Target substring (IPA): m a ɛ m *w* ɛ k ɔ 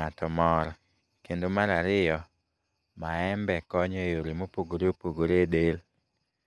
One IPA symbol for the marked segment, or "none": b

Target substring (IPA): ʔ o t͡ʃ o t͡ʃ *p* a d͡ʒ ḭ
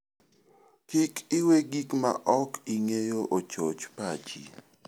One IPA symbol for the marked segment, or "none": p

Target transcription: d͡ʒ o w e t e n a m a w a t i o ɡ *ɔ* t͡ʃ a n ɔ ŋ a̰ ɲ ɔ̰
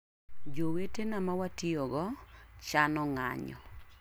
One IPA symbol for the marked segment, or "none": ɔ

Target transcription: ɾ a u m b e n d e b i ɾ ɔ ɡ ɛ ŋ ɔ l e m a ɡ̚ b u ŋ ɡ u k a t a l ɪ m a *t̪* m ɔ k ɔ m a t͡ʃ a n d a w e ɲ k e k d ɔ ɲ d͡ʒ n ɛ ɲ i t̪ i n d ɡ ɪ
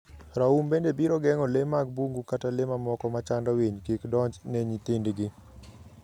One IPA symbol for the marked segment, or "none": none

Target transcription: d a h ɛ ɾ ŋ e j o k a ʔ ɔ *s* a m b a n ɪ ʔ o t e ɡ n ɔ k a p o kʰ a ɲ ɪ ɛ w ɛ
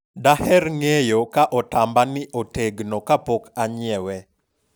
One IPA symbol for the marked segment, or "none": t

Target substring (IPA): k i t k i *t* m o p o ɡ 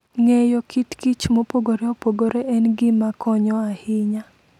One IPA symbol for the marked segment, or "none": t͡ʃ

